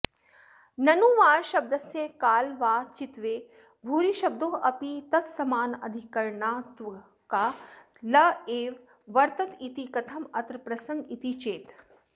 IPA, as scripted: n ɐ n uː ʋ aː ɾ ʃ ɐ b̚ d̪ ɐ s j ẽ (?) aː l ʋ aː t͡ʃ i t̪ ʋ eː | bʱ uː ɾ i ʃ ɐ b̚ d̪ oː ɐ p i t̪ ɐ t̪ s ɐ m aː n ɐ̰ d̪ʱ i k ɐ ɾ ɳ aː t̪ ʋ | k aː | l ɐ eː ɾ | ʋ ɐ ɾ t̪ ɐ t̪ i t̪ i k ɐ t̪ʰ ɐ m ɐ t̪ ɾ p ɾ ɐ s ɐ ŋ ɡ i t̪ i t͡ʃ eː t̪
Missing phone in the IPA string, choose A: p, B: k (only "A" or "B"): B